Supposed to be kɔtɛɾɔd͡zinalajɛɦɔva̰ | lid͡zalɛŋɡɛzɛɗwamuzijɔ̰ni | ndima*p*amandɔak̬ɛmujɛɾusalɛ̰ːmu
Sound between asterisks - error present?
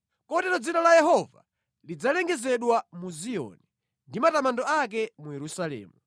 yes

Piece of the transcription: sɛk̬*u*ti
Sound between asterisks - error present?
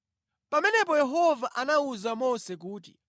yes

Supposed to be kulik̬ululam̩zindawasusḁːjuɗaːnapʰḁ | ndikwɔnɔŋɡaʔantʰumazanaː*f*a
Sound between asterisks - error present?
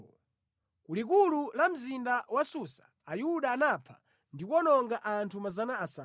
yes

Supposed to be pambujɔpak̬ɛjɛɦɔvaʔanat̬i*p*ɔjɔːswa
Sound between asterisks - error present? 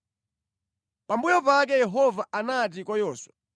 yes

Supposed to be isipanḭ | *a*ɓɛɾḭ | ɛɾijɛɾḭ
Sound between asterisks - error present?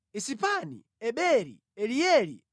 yes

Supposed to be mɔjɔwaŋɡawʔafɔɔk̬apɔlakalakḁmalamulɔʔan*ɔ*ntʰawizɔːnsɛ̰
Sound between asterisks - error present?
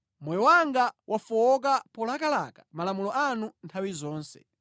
yes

